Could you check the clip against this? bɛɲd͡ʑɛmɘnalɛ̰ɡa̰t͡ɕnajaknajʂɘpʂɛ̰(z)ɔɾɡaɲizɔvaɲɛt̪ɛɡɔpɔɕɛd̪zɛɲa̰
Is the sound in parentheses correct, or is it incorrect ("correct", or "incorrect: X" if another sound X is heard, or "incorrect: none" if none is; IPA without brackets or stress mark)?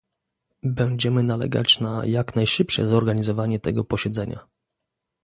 correct